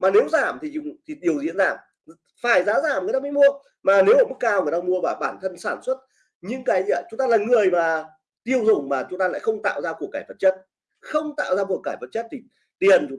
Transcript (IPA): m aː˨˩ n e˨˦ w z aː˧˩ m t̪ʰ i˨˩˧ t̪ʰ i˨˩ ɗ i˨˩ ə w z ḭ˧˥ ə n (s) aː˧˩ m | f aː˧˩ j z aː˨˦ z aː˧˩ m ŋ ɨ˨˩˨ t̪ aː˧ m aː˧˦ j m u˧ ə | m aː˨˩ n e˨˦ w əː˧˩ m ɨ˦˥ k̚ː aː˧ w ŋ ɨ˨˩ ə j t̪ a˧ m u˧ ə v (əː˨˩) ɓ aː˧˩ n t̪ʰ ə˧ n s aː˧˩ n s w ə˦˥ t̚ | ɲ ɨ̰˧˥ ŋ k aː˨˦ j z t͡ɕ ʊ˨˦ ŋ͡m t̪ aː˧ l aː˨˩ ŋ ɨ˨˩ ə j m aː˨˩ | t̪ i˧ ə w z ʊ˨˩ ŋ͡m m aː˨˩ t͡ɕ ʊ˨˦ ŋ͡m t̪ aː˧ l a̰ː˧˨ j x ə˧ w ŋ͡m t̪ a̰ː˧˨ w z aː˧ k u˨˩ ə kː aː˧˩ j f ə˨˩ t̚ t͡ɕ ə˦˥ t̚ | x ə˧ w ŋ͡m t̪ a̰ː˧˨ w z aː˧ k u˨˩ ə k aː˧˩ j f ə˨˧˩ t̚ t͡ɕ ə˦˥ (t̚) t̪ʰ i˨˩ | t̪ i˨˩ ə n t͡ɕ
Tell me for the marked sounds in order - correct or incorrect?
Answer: incorrect, incorrect, correct

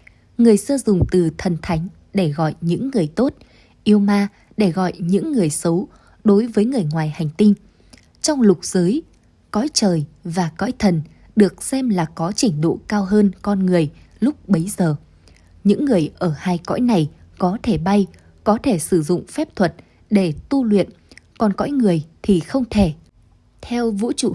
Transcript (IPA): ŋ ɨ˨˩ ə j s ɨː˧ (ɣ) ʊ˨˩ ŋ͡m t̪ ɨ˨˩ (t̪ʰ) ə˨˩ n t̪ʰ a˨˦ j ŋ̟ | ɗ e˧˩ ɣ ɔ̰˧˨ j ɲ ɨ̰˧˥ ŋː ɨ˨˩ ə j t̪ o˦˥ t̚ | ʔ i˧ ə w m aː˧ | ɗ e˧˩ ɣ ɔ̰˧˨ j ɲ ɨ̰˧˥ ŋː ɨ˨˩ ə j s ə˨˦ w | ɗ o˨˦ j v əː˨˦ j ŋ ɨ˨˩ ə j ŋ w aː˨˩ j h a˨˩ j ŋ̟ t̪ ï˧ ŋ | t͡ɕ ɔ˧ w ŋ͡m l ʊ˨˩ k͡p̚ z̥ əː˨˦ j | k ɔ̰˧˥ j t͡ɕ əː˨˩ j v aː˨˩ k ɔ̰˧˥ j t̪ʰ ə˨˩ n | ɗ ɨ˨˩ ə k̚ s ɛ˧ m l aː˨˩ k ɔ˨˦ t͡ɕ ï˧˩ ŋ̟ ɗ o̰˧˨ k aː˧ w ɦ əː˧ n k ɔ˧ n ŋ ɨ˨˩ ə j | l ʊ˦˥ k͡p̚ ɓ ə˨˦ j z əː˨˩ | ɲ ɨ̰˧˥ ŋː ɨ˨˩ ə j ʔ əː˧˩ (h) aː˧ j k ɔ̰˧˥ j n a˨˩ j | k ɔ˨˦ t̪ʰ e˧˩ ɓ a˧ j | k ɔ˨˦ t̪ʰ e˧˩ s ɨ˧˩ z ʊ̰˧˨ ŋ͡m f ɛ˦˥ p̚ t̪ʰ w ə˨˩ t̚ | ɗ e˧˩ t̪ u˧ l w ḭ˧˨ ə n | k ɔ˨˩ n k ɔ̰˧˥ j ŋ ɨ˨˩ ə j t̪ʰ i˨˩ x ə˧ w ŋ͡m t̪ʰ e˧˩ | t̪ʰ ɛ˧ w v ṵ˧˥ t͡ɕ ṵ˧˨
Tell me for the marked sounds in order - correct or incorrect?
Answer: incorrect, correct, correct

